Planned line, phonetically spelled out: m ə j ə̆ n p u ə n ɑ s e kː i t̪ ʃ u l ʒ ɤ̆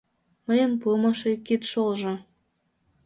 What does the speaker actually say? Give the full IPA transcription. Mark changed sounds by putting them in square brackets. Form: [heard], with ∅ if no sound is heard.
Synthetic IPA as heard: m ə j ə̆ n p u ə [m] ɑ [ʃ] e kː i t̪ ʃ [o] l ʒ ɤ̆